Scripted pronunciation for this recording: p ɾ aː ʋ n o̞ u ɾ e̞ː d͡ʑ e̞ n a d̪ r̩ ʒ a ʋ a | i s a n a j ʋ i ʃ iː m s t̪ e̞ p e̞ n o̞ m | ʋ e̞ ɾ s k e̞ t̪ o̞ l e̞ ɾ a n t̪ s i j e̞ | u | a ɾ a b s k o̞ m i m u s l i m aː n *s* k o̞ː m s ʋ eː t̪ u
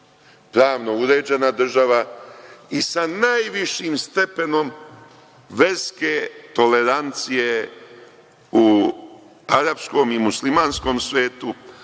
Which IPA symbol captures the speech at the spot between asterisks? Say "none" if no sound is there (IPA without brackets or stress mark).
s